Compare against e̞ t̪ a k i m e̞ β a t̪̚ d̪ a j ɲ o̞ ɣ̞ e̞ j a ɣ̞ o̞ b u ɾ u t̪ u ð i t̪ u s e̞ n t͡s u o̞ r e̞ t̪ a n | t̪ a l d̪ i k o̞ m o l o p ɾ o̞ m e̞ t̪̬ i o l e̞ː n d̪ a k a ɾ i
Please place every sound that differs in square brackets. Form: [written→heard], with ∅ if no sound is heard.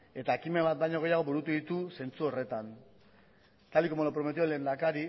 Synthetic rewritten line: e̞ t̪ a k i m e̞ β a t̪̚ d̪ a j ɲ o̞ ɣ̞ e̞ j a ɣ̞ o̞ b u ɾ u t̪ u ð i t̪ u s e̞ n t͡s u o̞ r e̞ t̪ a n | t̪ a l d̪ i k o̞ m o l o p ɾ o̞ m e̞ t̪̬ i o l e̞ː n d̪ a k a ɾ i